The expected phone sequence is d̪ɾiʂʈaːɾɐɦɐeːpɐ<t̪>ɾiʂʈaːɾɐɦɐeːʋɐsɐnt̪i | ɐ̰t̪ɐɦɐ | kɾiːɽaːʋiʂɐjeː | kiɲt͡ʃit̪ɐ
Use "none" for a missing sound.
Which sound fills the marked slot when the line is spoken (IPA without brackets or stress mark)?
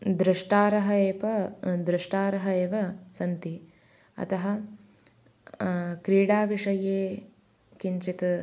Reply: d̪